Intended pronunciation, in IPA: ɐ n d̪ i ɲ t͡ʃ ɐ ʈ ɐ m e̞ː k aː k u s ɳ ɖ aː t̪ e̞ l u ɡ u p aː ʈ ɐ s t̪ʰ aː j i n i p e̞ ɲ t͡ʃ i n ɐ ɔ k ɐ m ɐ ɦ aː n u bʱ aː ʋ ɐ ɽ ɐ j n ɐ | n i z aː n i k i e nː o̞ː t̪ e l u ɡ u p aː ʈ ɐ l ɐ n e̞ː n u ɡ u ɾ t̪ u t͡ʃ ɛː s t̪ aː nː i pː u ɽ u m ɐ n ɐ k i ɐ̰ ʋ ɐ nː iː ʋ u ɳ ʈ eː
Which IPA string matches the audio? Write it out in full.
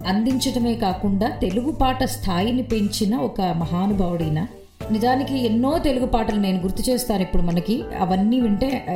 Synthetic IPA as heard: ɐ n d̪ i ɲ t͡ʃ ɐ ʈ ɐ m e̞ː k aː k u ɳ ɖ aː t̪ e̞ l u ɡ u p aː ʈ ɐ s t̪ʰ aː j i n i p e̞ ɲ t͡ʃ i n ɐ ɔ k ɐ m ɐ ɦ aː n u bʱ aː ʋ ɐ ɽ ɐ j n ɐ | n i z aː n i k i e nː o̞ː t̪ e l u ɡ u p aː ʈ ɐ l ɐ n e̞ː n u ɡ u ɾ t̪ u t͡ʃ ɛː s t̪ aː n i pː u ɽ u m ɐ n ɐ k i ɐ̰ ʋ ɐ nː iː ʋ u ɳ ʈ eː